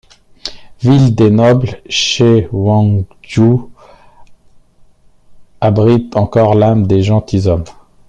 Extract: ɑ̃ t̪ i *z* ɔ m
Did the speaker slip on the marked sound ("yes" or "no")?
no